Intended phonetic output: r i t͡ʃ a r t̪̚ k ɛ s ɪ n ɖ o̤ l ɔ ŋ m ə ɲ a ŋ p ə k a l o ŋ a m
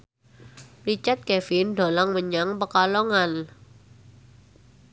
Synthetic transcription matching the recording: r i t͡ʃ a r t̪̚ k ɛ f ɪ n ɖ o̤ l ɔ ŋ m ə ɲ a ŋ p ə k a l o ŋ a n